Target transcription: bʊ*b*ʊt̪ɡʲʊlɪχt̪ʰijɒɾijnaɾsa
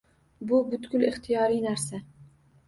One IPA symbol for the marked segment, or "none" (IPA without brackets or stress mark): b